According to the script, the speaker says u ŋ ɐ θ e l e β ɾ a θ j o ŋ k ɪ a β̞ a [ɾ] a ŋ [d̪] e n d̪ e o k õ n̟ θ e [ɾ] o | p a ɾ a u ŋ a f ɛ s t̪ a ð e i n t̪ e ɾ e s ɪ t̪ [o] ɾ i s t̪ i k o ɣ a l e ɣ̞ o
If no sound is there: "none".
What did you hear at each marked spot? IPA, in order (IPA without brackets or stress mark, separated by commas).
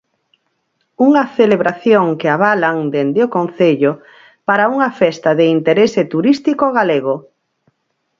l, d̪, ʎ, u